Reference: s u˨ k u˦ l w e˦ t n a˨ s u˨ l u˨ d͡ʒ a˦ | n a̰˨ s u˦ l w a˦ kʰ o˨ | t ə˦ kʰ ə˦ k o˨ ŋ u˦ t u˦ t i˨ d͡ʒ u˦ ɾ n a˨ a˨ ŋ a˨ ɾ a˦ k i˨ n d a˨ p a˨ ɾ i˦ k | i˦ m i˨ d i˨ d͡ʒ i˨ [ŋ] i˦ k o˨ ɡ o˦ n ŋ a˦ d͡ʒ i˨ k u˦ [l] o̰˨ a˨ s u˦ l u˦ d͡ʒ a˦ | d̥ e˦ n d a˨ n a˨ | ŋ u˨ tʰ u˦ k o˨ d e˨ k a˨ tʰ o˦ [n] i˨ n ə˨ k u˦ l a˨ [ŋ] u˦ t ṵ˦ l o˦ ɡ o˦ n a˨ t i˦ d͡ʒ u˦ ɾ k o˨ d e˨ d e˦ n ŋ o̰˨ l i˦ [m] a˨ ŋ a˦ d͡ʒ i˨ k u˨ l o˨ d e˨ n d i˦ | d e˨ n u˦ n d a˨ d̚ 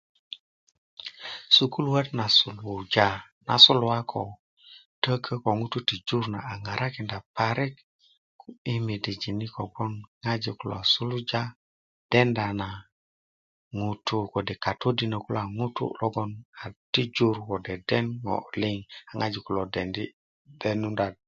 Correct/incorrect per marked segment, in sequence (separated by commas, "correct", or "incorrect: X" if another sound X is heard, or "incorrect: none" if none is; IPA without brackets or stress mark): incorrect: n, correct, incorrect: d, correct, incorrect: ŋ